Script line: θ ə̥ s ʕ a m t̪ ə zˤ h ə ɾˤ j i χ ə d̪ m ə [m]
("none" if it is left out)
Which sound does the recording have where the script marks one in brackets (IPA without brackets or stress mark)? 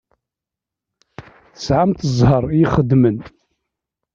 n